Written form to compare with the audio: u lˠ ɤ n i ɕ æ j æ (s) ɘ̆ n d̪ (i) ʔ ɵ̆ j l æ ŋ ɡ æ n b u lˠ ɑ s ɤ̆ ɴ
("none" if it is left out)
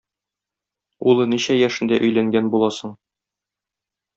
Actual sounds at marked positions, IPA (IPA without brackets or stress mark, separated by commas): ʃ, æ